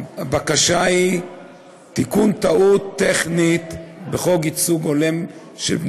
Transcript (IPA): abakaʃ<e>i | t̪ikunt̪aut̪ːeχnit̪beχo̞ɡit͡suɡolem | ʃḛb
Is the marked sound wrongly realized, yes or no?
yes